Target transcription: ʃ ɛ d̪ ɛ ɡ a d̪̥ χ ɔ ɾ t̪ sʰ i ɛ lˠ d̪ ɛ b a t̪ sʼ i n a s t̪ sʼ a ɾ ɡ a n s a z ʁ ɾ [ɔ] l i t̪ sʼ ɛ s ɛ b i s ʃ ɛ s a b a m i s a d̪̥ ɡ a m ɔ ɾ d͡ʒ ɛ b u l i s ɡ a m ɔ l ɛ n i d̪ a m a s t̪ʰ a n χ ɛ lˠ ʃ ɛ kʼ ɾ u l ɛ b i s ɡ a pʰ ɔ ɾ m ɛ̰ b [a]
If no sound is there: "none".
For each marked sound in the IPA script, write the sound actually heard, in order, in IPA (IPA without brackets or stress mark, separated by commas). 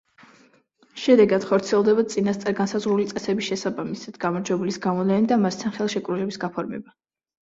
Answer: u, a